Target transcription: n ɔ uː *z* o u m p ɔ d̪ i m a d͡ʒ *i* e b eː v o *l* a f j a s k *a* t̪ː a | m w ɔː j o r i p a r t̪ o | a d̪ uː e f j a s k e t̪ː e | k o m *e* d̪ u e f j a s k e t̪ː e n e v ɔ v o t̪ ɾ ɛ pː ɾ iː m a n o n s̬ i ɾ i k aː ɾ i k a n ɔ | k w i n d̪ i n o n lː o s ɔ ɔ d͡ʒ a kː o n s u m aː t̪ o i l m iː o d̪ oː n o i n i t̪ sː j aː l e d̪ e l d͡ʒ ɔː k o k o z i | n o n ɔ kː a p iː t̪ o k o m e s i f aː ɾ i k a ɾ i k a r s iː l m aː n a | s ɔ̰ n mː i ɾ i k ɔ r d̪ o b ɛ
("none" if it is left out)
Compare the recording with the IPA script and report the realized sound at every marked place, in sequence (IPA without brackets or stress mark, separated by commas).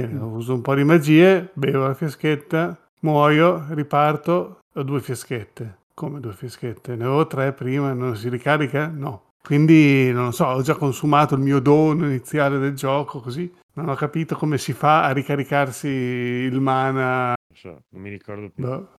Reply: z, iː, l, e, e